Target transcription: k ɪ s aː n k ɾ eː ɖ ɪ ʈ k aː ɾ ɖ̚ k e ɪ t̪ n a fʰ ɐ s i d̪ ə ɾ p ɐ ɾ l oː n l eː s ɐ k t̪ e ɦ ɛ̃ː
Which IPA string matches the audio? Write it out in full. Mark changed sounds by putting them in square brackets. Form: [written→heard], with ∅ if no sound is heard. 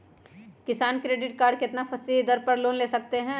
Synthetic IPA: k ɪ s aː n k ɾ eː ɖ ɪ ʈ k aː ɾ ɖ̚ k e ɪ t̪ n a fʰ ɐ s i d̪ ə ɾ p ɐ ɾ l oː n l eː s ɐ k t̪ e ɦ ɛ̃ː